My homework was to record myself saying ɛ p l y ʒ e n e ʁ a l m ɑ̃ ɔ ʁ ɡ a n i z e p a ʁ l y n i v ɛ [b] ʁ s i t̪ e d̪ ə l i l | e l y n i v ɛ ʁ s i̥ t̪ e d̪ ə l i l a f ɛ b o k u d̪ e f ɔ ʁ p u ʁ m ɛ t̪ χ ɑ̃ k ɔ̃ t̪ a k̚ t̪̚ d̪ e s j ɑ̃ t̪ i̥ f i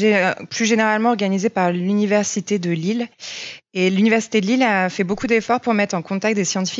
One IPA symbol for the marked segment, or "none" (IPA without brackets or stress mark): none